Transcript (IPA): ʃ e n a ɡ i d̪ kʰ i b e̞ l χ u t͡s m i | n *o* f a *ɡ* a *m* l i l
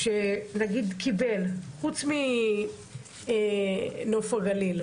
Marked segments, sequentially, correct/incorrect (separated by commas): correct, correct, incorrect